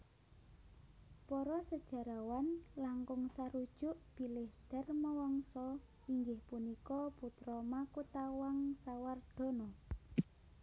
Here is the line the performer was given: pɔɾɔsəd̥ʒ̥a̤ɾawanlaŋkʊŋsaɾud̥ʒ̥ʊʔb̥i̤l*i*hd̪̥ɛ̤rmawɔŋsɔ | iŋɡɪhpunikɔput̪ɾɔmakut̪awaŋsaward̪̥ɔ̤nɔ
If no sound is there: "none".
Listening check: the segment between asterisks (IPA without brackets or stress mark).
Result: ɪ